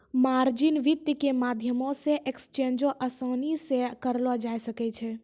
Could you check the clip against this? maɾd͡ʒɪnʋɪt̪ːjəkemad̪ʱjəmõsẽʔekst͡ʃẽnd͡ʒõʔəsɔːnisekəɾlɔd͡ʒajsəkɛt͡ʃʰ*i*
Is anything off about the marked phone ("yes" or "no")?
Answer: yes